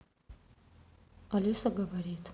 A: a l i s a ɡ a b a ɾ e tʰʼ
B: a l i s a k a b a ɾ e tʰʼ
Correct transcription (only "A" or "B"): A